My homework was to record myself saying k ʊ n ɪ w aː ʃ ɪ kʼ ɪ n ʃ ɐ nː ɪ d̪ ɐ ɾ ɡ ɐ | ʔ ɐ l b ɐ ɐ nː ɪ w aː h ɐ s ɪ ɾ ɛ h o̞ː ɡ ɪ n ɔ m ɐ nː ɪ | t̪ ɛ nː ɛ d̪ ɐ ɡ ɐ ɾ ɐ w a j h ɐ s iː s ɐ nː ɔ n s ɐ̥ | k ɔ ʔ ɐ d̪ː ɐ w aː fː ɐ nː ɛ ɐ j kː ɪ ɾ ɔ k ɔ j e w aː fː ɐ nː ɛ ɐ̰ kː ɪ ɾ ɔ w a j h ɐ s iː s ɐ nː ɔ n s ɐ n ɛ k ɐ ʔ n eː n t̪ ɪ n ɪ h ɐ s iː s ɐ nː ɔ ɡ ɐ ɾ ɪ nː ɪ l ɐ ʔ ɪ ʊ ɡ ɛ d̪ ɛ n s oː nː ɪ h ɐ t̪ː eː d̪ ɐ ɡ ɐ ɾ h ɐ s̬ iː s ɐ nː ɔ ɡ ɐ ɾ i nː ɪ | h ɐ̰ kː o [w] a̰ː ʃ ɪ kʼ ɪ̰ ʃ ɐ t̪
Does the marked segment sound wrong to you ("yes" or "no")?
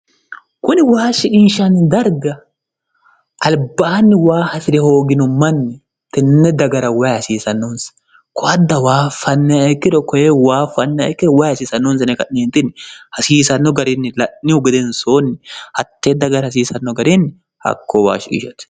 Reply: no